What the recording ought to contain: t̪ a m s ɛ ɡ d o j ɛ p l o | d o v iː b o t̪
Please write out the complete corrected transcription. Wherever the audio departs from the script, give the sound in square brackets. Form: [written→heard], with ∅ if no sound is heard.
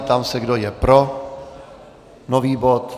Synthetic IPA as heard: t̪ a m s ɛ ɡ d o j ɛ p [l→ɾ] o | [d→n] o v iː b o t̪